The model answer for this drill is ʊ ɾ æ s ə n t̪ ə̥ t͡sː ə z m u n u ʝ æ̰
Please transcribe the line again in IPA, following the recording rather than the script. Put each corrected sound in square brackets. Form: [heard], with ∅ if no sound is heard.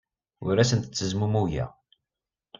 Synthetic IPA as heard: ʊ ɾ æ s ə n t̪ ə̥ t͡sː ə z m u [m] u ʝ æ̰